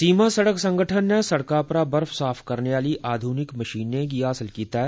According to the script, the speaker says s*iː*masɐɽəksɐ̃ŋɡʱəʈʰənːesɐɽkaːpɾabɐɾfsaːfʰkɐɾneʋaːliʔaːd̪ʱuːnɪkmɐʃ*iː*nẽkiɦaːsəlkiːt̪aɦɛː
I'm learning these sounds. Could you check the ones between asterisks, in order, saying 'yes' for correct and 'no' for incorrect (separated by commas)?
yes, yes